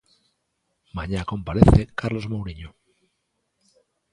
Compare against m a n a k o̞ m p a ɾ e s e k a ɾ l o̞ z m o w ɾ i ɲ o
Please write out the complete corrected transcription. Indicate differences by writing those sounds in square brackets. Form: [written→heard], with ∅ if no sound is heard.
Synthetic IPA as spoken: m a [n→ɲ] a k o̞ m p a ɾ e [s→θ] e k a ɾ l o̞ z m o w ɾ i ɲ o